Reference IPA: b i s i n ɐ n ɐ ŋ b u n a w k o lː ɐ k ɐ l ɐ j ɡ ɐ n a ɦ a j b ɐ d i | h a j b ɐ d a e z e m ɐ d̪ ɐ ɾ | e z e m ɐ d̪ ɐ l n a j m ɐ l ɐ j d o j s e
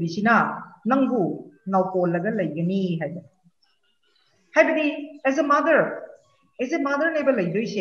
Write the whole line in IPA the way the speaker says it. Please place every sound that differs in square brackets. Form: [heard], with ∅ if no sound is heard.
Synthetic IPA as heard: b i s i n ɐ n ɐ ŋ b u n a w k o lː ɐ [ɡ] ɐ l ɐ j ɡ ɐ n [i] ɦ a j b ɐ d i | h a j b ɐ d [i] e z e m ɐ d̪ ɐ ɾ | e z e m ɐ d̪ ɐ [ɾ] n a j [b] ɐ l ɐ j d o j s e